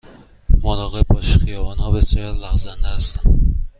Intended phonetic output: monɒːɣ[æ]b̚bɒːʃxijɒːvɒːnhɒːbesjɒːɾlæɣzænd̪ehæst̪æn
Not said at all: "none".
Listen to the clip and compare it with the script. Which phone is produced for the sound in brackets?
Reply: e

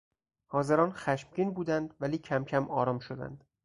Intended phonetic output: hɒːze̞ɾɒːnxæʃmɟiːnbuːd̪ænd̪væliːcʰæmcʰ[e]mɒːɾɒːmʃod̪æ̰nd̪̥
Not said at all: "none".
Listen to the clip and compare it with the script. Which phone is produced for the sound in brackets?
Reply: æ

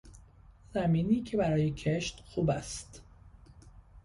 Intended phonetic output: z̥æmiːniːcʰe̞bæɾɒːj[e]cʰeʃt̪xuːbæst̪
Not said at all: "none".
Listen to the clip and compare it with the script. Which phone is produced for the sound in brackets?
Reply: e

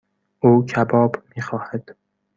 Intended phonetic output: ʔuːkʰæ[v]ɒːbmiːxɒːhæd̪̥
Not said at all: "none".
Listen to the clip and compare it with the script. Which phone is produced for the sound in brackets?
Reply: b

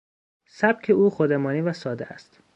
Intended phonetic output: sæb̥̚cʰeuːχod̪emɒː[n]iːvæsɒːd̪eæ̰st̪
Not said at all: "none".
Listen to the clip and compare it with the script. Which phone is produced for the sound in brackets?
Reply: n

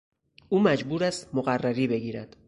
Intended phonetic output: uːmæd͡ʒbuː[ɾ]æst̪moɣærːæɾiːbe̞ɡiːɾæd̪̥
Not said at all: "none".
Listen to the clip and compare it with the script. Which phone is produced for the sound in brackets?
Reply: ɾ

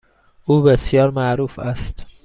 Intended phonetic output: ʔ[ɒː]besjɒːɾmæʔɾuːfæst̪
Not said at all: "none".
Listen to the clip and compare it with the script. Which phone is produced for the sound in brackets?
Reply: uː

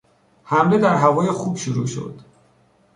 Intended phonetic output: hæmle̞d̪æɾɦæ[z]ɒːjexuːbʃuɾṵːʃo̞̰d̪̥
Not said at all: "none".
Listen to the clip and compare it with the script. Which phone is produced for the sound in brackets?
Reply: v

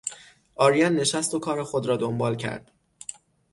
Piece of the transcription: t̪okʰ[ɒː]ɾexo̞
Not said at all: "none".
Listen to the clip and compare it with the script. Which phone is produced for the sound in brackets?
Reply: ɒː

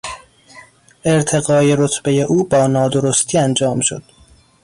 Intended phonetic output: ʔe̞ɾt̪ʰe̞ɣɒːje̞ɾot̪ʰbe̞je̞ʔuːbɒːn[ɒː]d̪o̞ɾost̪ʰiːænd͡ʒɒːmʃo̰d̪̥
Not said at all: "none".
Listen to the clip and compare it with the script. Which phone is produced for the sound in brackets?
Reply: ɒː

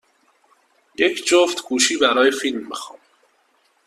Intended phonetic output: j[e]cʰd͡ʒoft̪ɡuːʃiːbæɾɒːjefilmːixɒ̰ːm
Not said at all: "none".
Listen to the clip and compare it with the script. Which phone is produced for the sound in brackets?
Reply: e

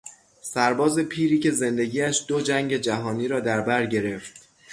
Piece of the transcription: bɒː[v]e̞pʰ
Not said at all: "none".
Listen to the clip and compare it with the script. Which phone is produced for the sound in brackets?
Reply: z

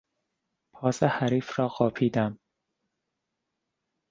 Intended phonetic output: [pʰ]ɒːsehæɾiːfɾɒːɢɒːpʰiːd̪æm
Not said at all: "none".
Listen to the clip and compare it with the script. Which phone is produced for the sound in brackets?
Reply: pʰ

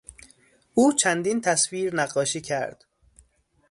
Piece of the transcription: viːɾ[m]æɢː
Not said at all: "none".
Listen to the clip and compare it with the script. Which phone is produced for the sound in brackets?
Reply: n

